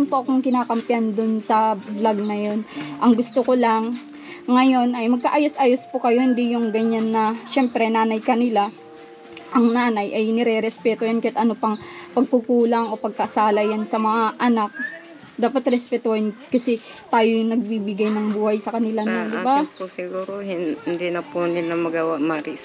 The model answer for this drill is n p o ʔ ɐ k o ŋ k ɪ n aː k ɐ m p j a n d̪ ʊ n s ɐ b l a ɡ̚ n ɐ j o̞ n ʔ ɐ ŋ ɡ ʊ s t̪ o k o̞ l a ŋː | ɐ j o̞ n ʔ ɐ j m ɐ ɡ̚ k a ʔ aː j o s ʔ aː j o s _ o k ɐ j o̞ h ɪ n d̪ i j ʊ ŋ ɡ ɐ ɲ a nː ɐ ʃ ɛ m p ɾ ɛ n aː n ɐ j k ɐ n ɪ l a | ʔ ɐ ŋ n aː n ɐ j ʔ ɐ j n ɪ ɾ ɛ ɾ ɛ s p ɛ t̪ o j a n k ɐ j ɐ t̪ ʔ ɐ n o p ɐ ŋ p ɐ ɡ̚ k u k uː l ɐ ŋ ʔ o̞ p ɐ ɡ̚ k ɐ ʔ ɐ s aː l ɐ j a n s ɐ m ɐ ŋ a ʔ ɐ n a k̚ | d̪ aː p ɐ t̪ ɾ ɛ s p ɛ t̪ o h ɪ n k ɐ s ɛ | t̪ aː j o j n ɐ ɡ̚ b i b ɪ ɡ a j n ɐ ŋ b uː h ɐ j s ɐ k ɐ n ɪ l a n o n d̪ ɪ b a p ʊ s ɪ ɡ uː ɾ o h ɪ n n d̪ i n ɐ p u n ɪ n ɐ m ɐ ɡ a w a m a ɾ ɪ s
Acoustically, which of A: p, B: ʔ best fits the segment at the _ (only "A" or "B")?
A